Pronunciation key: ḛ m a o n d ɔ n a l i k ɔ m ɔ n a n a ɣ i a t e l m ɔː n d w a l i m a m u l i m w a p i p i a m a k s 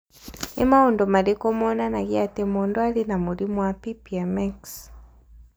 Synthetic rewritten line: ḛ m a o n d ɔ m a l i k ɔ m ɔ n a n a ɣ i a t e m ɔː n d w a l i n a m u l i m w a p i p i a m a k s